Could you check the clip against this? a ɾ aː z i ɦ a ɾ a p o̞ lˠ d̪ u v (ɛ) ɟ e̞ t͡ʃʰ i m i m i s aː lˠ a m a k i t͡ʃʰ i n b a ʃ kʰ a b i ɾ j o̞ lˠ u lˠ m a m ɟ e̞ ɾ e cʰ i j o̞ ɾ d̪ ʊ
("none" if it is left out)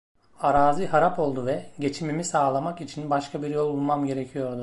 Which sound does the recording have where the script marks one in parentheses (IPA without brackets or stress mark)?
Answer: ɛ